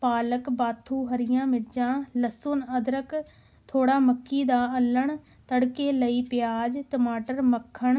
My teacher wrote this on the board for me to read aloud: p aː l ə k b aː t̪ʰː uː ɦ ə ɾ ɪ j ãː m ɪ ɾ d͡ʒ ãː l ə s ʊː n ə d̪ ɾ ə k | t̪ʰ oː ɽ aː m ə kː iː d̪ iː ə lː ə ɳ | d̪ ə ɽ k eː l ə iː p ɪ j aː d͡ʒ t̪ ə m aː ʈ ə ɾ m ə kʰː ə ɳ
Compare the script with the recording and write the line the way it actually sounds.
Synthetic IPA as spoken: p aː l ə k b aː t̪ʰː uː ɦ ə ɾ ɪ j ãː m ɪ ɾ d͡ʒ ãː l ə s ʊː n ə d̪ ɾ ə k | t̪ʰ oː ɽ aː m ə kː iː d̪ aː ə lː ə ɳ | t̪ ə ɽ k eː l ə iː p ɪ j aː d͡ʒ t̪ ə m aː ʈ ə ɾ m ə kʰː ə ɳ